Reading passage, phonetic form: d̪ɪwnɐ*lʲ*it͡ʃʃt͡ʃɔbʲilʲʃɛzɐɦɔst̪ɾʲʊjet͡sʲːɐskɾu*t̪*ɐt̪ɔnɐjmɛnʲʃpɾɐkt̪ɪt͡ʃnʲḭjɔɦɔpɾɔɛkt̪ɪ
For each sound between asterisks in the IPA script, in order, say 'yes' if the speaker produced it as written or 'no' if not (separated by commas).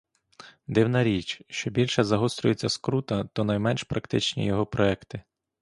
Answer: no, yes